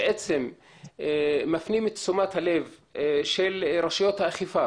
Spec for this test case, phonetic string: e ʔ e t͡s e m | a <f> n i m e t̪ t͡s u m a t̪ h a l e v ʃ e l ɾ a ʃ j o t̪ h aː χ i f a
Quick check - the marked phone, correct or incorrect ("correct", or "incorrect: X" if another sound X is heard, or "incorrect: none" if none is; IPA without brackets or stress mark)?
correct